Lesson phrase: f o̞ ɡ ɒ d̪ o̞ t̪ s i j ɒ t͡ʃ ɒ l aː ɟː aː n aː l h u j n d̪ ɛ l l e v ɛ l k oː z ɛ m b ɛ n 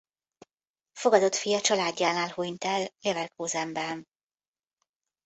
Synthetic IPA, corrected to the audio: f o̞ ɡ ɒ d̪ o̞ t̪ f i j ɒ t͡ʃ ɒ l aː ɟː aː n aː l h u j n t̪ ɛ l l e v ɛ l k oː z ɛ m b ɛ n